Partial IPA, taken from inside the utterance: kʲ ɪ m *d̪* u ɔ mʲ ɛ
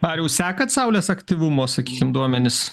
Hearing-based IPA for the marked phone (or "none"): d̪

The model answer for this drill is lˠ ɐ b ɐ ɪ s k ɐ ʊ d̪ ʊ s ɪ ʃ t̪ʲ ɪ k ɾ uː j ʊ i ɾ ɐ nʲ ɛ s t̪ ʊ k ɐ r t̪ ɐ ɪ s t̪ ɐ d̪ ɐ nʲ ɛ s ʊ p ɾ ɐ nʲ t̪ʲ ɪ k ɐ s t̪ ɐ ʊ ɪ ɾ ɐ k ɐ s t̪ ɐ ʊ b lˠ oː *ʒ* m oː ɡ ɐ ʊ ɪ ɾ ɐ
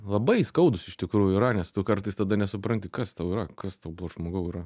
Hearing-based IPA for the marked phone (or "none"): ʒ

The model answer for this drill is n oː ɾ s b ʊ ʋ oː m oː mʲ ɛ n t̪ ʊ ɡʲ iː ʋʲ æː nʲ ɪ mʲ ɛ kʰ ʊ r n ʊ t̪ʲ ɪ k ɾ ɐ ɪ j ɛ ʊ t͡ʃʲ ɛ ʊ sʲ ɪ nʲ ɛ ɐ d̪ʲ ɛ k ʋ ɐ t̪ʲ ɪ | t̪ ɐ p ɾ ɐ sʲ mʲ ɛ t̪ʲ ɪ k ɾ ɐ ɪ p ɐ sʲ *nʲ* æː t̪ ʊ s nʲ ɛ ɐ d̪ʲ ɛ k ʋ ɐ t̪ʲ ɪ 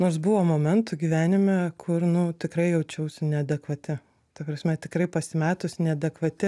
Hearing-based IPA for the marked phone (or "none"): mʲ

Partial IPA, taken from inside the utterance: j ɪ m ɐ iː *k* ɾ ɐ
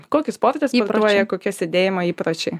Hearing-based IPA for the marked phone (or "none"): p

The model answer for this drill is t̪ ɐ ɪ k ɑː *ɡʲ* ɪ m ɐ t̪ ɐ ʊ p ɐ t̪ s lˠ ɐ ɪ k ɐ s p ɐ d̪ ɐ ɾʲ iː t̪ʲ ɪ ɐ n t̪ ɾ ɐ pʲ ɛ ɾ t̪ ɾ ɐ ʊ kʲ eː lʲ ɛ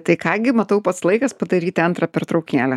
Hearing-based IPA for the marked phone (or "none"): ɡʲ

